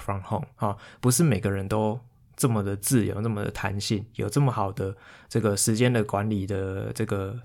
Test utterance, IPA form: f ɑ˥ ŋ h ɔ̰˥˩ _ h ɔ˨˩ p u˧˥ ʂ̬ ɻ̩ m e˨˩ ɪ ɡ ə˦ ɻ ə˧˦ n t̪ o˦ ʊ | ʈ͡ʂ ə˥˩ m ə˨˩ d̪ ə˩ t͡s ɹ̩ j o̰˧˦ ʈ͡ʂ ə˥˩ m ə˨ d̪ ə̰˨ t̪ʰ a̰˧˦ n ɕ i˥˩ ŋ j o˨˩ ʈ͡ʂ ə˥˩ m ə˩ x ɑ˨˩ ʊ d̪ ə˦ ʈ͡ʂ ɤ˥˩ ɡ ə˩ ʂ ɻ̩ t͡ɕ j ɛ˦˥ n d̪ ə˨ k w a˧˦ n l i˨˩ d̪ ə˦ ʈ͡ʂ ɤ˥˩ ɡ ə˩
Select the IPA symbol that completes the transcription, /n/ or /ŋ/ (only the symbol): ŋ